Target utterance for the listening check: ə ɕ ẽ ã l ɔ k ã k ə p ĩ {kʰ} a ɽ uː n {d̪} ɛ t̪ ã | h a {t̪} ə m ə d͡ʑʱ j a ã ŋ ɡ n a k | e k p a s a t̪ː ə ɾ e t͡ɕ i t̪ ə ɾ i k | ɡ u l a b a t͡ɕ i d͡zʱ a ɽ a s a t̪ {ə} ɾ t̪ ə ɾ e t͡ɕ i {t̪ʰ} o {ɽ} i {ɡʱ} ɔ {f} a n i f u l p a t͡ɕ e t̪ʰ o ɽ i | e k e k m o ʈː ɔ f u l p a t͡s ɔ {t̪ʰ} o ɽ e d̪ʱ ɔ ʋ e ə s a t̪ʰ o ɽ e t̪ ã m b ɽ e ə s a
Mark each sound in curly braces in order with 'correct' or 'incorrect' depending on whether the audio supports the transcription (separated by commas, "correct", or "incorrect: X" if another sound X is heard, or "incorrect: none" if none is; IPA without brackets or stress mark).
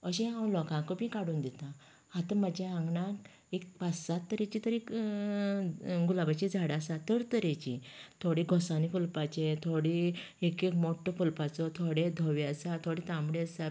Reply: incorrect: k, correct, correct, correct, correct, correct, correct, incorrect: s, correct